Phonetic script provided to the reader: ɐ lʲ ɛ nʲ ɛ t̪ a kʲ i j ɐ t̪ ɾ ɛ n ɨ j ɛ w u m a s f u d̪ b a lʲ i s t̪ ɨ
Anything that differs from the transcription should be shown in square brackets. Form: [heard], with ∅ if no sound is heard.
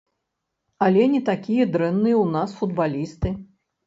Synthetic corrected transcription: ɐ lʲ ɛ nʲ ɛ t̪ a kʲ i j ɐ [d̪] ɾ ɛ [nː] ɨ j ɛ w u [n] a s f u d̪ b a lʲ i s t̪ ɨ